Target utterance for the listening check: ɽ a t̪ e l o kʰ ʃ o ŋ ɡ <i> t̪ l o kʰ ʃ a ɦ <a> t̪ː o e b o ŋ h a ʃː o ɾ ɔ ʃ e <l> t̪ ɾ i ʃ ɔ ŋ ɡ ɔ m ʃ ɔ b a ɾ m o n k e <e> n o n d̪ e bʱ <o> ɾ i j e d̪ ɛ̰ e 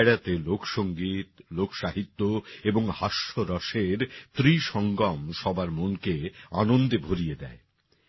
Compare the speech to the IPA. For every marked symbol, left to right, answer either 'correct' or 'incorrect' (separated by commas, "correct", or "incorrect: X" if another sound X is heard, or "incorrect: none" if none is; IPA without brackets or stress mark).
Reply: correct, incorrect: i, incorrect: ɾ, incorrect: a, correct